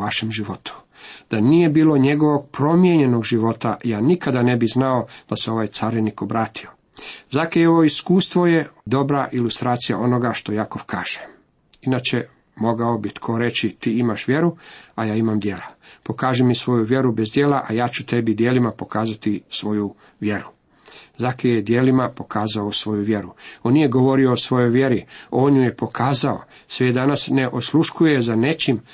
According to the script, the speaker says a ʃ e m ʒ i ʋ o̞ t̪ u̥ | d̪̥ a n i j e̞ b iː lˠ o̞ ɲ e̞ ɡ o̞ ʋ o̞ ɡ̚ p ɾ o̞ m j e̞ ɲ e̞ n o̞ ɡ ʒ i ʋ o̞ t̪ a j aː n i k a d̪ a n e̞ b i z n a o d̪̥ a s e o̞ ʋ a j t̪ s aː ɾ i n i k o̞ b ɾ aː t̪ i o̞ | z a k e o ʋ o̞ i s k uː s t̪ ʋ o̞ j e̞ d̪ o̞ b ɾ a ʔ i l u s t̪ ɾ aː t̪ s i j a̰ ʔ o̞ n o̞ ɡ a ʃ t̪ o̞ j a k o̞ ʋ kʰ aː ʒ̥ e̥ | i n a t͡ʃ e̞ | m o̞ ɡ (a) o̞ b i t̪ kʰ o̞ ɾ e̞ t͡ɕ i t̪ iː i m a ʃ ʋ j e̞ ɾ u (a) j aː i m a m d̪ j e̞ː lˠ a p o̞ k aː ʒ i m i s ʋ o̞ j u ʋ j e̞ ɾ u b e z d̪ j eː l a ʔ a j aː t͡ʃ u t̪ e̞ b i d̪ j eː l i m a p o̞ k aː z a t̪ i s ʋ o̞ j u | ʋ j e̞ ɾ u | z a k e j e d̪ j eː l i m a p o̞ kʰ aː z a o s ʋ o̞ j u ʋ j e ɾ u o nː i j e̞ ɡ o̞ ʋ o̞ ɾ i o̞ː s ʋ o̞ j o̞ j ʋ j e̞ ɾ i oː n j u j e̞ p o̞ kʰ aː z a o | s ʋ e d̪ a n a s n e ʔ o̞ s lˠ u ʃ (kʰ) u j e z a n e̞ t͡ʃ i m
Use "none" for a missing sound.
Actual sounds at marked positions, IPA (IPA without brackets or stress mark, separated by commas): a, a, k